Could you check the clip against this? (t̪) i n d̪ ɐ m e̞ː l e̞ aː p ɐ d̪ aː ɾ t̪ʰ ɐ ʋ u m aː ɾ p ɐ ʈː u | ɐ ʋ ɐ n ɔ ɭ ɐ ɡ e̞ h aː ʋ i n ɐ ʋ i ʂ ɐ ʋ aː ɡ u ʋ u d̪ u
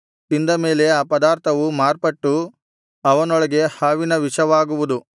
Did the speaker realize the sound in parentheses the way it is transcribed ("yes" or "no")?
yes